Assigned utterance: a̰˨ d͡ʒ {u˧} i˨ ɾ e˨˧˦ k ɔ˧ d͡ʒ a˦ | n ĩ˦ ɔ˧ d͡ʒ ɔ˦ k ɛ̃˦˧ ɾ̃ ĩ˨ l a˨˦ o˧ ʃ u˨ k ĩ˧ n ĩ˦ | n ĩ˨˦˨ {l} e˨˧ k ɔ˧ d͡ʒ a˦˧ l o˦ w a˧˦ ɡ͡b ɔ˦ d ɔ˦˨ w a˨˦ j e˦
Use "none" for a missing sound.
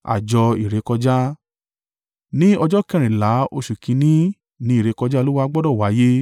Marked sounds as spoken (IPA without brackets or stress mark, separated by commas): ɔ˧, ɾ